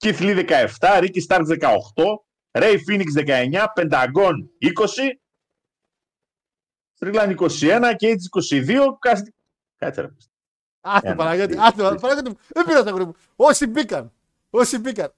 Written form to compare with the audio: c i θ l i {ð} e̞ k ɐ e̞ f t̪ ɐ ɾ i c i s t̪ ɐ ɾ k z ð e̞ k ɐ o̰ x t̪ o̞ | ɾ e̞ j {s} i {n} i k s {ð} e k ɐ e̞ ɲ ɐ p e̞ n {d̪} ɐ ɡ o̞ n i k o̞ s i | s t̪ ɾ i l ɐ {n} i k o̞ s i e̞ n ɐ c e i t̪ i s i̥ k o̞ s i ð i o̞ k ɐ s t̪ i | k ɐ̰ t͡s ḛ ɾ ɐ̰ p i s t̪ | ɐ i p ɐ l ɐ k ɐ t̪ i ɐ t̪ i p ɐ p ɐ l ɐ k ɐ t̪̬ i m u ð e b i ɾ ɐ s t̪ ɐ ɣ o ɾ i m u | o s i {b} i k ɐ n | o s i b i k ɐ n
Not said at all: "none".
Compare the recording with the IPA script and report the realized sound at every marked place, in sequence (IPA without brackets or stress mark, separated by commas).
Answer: ð, f, n, ð, d̪, n, b